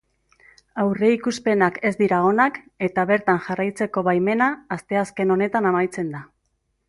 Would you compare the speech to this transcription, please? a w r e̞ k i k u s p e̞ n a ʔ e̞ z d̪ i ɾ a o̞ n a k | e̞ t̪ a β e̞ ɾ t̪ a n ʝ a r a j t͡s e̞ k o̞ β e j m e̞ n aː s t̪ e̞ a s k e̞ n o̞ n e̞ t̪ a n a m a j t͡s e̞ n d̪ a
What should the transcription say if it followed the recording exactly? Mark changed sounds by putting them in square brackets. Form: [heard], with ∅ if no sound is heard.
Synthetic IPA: a w r e̞ [∅] i k u s p e̞ n a [k] e̞ z d̪ i ɾ a o̞ n a k | e̞ t̪ a β e̞ ɾ t̪ a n ʝ a r a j t͡s e̞ k o̞ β [a] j m e̞ n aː s t̪ e̞ a s k e̞ n o̞ n e̞ t̪ a n a m a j t͡s e̞ n d̪ a